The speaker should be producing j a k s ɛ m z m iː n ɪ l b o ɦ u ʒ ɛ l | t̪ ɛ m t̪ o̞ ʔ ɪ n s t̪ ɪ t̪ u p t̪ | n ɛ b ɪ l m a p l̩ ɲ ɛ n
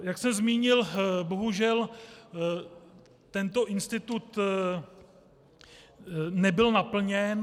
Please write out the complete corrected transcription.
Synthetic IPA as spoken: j a k s ɛ m z m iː ɲ ɪ l b o ɦ u ʒ ɛ l | t̪ ɛ n t̪ o̞ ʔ ɪ n s t̪ ɪ t̪ u t̪ | n ɛ b ɪ l n a p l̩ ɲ ɛ n